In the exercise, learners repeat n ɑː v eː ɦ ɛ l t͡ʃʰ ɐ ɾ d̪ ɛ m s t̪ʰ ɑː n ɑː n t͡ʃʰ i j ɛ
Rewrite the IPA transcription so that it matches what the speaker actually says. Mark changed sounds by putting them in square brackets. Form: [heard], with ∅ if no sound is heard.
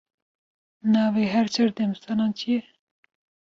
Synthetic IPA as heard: n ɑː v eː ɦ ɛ [ɾ] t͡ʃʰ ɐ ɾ d̪ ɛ m s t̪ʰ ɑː n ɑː n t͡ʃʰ i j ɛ